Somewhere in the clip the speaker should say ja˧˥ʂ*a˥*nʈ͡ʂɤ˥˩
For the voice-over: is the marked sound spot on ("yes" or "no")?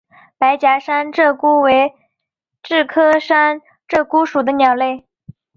yes